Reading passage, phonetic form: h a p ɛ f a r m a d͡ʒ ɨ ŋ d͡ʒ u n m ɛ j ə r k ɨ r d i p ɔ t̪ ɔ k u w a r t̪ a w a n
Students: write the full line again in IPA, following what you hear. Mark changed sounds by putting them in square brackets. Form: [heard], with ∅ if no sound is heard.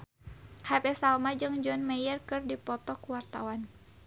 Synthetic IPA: h a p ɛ [s] a [l] m a d͡ʒ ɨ ŋ d͡ʒ [ɔ] n m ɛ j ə r k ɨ r d i p ɔ t̪ ɔ k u w a r t̪ a w a n